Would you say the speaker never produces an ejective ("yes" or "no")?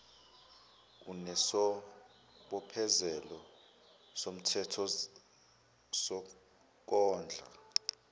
yes